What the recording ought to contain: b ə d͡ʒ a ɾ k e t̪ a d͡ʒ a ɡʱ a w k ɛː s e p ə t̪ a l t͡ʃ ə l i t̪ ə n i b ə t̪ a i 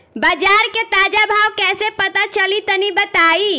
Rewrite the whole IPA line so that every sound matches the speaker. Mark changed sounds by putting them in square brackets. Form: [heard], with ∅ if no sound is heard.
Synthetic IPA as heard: b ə d͡ʒ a ɾ k e t̪ a d͡ʒ a [bʱ] a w k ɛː s e p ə t̪ a [∅] t͡ʃ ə l i t̪ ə n i b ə t̪ a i

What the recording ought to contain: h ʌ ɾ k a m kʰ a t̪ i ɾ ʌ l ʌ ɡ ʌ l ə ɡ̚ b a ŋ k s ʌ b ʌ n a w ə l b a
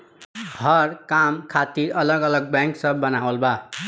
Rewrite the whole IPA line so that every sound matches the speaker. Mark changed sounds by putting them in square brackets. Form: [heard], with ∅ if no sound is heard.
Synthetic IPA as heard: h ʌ ɾ k a m kʰ a t̪ i ɾ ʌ l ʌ ɡ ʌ l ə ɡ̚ b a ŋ k s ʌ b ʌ n a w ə l b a

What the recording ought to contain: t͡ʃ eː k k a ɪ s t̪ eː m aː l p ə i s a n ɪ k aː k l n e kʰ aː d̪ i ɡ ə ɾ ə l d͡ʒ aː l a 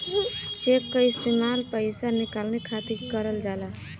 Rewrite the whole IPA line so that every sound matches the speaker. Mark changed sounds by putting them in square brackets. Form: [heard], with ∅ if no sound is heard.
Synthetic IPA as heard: t͡ʃ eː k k a ɪ s t̪ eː m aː l p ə [ɪ] s a n ɪ k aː [∅] l n e kʰ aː [t̪] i [k] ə ɾ ə l d͡ʒ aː l a

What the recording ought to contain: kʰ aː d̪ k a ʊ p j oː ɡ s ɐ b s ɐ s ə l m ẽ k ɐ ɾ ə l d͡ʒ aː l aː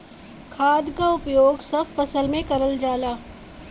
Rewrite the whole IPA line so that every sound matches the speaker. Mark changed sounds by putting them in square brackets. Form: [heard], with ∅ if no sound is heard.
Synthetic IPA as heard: kʰ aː d̪ k a ʊ p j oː ɡ s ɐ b [f] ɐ s ə l m ẽ k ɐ ɾ ə l d͡ʒ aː l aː

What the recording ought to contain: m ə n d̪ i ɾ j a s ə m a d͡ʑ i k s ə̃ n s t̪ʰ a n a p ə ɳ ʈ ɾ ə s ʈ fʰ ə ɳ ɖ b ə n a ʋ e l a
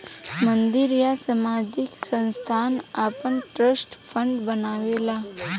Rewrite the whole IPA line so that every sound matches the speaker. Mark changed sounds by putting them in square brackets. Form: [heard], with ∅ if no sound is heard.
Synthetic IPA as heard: m ə n d̪ i ɾ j a s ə m a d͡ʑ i k s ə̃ n s t̪ʰ a n a p ə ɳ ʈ ɾ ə s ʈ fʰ ə ɳ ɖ b ə n a ʋ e l a

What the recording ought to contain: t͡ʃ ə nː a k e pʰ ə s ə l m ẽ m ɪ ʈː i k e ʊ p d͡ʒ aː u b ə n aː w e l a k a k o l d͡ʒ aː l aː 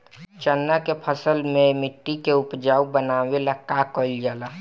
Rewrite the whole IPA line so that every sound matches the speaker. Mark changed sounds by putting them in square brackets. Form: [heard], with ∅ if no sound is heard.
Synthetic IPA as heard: t͡ʃ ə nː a k e pʰ ə s ə l m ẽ m ɪ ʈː i k e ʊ p d͡ʒ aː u b ə n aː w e l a k a k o l d͡ʒ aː l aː

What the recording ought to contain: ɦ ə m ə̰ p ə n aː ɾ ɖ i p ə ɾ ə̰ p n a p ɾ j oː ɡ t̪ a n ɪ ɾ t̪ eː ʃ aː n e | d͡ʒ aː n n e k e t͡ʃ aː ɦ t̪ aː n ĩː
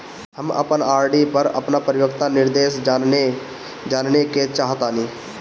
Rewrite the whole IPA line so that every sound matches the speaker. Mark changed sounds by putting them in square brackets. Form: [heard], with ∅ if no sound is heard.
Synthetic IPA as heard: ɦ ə m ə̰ p ə n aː ɾ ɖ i p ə ɾ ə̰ p n a p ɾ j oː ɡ t̪ a n ɪ ɾ [d̪] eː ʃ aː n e | d͡ʒ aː n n e k e t͡ʃ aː ɦ t̪ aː n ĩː

